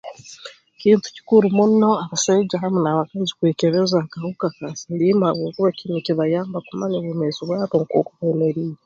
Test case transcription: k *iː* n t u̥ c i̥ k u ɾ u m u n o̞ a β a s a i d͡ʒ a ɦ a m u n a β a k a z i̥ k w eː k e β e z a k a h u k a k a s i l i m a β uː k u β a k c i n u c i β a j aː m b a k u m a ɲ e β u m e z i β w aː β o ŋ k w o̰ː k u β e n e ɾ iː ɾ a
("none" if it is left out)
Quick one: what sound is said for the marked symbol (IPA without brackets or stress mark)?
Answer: iː